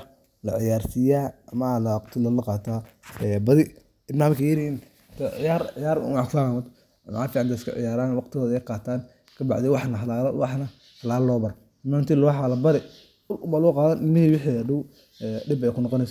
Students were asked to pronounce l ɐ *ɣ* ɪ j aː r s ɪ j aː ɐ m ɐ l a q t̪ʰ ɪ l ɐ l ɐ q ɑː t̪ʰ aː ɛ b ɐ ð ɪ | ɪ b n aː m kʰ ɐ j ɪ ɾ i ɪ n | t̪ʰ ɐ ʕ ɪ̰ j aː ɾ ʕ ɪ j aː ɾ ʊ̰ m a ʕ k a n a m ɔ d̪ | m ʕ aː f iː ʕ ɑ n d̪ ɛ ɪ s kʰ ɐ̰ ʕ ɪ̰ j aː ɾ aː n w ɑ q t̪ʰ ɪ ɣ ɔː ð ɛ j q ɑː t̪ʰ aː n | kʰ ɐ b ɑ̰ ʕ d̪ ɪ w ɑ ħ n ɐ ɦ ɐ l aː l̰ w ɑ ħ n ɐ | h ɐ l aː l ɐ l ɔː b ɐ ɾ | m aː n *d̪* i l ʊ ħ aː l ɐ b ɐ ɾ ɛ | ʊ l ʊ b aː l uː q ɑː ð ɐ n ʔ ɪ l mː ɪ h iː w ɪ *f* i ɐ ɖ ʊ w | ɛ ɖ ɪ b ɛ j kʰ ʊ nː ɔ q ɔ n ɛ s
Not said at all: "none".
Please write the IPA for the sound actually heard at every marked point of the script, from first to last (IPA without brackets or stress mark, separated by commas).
ʕ, t̪, ħ